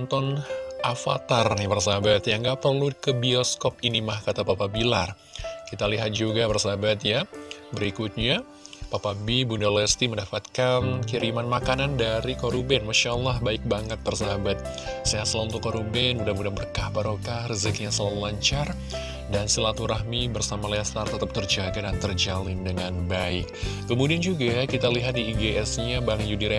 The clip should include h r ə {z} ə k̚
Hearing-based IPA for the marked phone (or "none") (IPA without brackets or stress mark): z